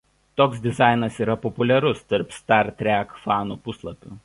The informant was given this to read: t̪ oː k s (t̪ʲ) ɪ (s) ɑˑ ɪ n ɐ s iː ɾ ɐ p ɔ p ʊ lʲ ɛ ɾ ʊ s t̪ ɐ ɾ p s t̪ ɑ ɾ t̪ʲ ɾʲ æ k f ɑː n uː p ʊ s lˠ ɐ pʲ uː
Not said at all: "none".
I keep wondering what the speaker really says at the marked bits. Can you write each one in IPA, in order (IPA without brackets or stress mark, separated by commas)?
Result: d̪ʲ, z